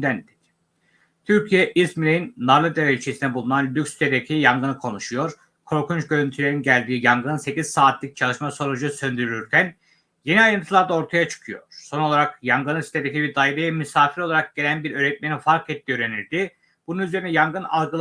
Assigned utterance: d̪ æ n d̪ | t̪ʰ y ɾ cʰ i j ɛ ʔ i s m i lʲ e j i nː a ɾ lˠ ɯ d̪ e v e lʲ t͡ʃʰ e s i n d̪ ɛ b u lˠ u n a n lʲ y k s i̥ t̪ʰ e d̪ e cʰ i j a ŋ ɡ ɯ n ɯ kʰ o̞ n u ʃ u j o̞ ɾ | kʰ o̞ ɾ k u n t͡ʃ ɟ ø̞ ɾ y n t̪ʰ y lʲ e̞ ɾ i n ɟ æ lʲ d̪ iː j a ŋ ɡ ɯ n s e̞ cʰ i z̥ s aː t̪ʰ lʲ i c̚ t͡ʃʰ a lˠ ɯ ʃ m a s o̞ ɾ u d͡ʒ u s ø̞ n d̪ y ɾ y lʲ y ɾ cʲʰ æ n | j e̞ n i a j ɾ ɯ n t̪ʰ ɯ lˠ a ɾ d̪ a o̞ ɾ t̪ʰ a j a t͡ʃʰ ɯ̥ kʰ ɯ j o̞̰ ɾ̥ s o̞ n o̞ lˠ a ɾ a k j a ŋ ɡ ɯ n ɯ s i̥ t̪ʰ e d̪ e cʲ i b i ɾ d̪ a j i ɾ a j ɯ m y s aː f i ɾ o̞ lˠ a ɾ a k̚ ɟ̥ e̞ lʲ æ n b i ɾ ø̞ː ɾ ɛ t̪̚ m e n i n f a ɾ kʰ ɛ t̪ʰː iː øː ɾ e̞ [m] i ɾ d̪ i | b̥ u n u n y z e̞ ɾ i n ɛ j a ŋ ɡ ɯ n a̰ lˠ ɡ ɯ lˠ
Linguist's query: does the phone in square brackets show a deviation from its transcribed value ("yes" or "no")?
yes